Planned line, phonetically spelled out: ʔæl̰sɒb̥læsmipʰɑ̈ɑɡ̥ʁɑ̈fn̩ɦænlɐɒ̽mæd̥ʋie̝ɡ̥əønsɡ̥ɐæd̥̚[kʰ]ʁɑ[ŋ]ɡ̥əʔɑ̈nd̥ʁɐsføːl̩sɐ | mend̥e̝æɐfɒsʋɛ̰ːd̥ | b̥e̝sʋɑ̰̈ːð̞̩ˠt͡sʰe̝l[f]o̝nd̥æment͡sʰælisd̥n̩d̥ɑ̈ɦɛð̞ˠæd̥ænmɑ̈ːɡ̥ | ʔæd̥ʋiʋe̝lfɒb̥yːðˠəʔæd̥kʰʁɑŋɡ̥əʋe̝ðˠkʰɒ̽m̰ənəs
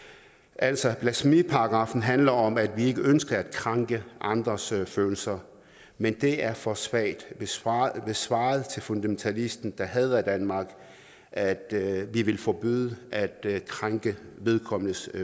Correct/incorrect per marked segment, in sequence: correct, correct, correct

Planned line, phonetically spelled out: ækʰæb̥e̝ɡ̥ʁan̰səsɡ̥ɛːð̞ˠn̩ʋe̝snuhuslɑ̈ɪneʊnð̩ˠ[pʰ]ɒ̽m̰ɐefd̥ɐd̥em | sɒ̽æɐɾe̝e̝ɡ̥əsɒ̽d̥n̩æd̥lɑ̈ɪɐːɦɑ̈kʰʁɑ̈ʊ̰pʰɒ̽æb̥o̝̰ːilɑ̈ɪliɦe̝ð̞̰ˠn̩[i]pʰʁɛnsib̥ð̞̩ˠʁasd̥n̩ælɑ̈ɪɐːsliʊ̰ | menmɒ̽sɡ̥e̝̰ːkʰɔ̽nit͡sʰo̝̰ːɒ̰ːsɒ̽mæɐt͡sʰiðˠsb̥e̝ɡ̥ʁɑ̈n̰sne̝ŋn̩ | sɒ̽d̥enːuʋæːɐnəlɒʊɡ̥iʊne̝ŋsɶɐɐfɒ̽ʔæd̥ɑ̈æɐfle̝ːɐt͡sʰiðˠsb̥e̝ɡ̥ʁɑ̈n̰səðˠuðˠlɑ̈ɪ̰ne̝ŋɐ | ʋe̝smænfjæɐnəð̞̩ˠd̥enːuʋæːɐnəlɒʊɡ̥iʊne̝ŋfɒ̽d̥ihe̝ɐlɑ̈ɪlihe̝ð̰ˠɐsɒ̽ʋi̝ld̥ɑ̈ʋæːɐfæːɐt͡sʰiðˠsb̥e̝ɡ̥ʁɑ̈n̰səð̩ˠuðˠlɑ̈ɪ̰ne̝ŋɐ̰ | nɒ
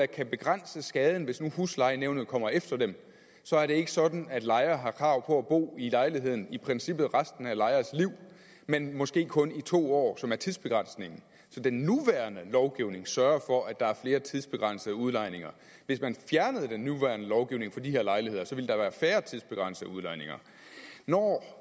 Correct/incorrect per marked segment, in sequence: incorrect: kʰ, correct

